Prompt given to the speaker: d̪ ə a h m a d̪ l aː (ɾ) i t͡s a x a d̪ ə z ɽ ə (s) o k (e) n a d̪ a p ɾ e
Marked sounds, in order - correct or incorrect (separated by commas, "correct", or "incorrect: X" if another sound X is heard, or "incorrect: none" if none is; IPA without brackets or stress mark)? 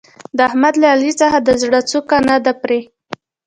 incorrect: l, incorrect: t͡s, incorrect: a